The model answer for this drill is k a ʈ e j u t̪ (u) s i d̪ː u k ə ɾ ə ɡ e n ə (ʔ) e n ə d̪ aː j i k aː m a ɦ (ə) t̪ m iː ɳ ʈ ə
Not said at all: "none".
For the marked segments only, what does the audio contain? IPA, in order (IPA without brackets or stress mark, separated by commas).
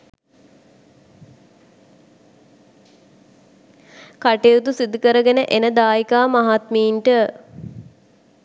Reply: u, ʔ, a